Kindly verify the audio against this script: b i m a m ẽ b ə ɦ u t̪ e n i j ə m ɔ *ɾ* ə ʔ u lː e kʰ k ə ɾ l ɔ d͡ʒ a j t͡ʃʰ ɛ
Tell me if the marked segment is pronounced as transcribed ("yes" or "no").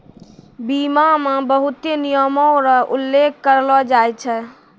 yes